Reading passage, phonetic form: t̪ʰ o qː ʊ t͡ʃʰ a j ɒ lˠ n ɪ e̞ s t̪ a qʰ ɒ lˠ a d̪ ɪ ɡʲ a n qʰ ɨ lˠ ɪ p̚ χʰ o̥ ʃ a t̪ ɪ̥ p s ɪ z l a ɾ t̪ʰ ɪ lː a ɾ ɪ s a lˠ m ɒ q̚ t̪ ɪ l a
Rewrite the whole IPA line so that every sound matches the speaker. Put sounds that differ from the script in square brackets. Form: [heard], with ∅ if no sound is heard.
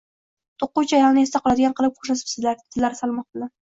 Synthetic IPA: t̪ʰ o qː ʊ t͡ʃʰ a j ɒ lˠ n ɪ e̞ s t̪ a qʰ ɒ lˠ a d̪ ɪ ɡʲ a n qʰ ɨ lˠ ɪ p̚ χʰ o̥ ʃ a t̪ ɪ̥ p s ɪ z l a ɾ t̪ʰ ɪ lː a ɾ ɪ s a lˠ m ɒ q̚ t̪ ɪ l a